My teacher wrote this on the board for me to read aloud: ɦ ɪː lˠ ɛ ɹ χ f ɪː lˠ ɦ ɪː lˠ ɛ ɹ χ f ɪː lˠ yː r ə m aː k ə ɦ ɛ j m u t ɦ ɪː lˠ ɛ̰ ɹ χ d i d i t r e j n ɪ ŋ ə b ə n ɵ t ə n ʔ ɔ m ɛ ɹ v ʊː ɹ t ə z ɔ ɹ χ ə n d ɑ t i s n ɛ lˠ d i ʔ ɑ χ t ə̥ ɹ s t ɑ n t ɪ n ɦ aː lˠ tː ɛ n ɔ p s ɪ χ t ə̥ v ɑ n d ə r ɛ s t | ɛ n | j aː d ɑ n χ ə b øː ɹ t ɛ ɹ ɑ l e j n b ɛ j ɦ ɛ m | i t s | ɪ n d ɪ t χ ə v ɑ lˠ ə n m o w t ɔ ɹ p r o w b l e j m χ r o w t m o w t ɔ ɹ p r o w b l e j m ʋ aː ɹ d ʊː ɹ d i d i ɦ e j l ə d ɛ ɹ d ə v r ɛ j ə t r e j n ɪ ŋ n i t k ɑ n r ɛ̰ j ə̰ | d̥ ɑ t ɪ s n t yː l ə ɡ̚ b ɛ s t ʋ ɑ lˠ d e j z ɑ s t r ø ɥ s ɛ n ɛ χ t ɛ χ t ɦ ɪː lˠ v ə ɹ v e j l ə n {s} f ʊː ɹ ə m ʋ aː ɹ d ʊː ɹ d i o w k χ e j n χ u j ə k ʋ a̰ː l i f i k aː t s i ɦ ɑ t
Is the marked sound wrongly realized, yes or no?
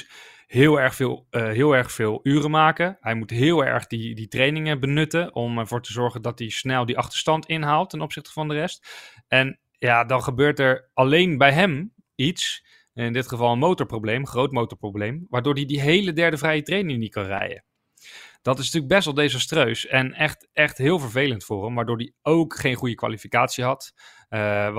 yes